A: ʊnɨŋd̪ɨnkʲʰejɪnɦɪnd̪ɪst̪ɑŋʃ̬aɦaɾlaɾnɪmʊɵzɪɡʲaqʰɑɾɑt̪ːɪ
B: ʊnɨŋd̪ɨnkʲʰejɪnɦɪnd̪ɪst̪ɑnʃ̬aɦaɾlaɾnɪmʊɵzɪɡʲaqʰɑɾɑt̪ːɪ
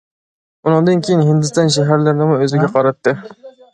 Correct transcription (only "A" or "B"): B